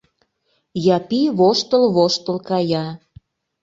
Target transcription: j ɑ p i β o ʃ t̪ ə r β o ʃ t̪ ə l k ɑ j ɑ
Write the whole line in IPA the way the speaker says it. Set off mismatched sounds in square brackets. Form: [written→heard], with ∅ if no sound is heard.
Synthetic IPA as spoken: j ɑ p i β o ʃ t̪ ə [r→l] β o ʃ t̪ ə l k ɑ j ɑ